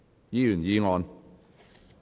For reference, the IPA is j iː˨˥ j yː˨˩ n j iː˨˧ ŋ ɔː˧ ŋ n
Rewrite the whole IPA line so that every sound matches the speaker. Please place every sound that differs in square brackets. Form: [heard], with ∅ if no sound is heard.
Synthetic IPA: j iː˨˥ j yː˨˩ n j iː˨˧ ŋ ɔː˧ [∅] n